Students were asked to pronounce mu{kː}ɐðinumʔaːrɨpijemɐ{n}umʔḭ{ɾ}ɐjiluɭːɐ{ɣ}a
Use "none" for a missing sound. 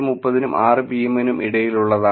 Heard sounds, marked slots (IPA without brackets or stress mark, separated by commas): pː, n, ɽ, ð